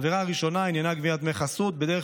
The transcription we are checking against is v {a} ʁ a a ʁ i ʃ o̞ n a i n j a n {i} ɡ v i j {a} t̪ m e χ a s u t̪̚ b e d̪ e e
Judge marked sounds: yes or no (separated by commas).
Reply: no, no, yes